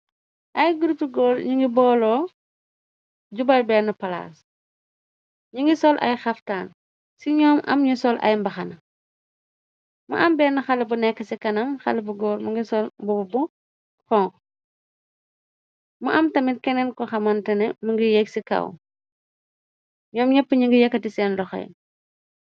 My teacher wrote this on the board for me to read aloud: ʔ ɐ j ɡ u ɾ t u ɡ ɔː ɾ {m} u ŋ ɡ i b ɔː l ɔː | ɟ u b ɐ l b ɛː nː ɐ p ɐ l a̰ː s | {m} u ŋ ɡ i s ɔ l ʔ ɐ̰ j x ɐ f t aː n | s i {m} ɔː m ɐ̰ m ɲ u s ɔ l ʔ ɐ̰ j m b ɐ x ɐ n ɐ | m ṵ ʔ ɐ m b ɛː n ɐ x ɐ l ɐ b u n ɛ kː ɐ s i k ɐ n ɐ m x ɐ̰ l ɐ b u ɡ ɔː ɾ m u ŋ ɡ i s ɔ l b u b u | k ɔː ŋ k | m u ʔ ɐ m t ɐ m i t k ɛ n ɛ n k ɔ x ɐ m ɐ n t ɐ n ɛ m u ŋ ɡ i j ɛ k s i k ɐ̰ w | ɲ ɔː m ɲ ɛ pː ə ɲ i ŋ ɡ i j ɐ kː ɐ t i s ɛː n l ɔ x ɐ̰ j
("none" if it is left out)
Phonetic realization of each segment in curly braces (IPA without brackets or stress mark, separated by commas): ɲ, ɲ, ɲ